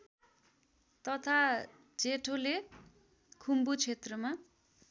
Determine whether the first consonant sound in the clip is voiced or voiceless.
voiceless